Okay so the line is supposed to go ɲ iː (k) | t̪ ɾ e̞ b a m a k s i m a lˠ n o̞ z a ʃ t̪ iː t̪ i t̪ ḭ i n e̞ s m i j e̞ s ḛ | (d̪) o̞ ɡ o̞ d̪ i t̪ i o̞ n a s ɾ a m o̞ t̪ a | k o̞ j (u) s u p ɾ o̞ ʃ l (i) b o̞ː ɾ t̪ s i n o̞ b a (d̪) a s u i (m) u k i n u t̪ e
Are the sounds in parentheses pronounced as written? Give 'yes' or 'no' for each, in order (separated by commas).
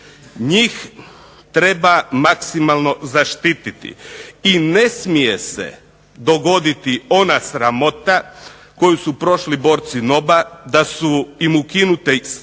no, yes, yes, yes, yes, yes